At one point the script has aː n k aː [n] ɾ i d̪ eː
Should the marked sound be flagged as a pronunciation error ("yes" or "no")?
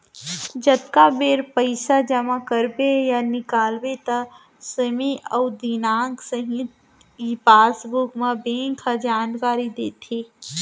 yes